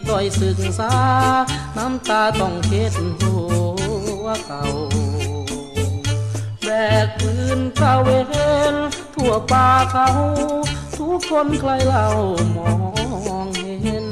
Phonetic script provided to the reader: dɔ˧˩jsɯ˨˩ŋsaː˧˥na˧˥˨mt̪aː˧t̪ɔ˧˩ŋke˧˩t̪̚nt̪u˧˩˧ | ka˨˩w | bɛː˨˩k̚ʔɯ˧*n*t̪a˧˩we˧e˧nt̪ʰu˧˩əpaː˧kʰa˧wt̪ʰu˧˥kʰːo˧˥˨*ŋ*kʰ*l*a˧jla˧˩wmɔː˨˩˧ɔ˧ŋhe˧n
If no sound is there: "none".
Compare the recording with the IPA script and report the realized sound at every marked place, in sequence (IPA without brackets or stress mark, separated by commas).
n, n, l